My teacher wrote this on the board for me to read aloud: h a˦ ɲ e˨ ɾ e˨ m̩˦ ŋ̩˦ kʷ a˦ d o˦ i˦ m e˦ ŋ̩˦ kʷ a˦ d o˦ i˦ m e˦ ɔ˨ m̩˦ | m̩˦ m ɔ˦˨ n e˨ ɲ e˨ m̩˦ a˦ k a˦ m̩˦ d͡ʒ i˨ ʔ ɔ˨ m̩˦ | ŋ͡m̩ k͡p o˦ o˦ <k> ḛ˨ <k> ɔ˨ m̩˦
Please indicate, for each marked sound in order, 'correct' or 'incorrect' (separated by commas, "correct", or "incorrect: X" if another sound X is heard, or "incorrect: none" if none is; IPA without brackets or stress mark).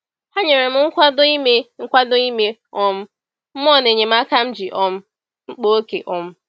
correct, incorrect: ʔ